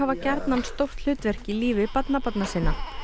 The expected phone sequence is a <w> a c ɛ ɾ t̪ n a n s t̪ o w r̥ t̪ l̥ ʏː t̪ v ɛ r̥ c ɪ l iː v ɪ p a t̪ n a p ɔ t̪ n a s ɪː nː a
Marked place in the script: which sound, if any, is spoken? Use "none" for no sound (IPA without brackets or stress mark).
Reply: v